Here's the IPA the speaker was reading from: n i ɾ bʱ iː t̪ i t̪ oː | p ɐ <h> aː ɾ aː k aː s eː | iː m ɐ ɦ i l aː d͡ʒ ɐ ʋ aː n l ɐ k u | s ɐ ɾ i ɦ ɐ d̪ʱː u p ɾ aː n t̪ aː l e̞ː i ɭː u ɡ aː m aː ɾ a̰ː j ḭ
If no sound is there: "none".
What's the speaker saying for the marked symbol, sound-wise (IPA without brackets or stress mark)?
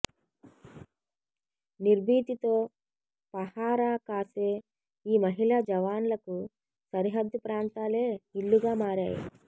h